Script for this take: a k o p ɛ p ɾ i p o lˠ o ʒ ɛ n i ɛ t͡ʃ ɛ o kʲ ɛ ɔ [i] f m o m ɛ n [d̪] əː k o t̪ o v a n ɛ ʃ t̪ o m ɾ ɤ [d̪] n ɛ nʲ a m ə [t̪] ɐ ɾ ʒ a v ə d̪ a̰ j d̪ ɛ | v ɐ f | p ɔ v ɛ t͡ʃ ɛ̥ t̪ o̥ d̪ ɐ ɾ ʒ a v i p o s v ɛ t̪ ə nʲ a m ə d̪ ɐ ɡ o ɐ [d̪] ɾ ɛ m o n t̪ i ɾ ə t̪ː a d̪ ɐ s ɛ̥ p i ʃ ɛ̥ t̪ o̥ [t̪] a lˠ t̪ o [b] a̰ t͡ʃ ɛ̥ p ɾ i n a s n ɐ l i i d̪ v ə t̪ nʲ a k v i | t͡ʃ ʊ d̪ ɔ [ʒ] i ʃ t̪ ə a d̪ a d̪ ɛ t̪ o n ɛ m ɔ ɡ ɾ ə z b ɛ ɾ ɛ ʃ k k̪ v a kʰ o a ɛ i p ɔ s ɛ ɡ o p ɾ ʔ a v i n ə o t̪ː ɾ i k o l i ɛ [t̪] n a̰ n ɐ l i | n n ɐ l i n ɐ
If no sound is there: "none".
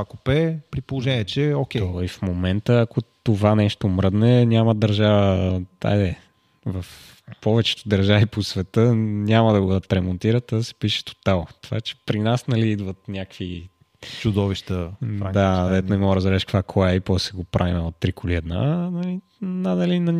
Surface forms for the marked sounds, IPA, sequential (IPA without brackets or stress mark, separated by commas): i, t̪, d̪, d̪, t̪, t̪, v, v, d̪